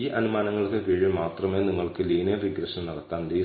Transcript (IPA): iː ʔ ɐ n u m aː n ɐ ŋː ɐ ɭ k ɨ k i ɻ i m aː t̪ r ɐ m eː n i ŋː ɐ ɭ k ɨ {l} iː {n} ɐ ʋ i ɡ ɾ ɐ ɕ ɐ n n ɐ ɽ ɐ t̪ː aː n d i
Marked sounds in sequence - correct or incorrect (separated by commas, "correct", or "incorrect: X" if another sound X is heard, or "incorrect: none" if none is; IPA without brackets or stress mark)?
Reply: correct, correct